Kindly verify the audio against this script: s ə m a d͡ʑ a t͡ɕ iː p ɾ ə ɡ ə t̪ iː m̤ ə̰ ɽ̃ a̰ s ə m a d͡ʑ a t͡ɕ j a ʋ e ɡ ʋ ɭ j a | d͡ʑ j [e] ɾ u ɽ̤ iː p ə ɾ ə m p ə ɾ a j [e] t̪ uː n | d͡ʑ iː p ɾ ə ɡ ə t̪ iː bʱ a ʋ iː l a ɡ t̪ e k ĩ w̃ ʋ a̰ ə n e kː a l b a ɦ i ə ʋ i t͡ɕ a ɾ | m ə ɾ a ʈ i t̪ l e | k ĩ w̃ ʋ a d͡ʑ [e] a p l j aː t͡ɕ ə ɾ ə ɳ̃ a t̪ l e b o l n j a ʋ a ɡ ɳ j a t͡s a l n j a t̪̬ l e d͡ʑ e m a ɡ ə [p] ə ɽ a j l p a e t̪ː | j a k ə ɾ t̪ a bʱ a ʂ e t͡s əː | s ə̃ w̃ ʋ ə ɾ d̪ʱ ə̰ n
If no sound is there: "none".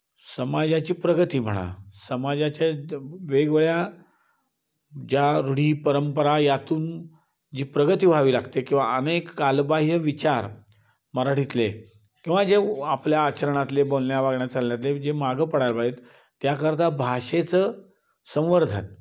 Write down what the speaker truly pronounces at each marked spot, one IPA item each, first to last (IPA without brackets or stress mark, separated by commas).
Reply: a, a, e, p